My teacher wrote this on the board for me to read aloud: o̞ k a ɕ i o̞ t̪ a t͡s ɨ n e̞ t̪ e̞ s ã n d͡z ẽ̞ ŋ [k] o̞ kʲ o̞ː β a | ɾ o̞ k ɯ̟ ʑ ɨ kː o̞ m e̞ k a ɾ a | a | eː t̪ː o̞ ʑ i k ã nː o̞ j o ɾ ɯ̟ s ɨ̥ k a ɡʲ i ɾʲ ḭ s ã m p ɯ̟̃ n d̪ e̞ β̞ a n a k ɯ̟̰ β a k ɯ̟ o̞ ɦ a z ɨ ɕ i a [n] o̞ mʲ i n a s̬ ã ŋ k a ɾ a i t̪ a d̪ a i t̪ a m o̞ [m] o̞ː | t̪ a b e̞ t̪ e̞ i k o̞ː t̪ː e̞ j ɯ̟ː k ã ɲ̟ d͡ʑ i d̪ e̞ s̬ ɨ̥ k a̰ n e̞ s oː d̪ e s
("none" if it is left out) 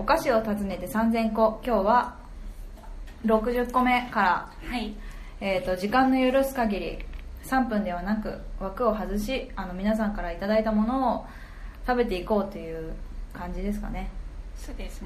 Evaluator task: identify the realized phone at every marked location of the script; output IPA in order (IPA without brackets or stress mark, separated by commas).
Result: k, n, n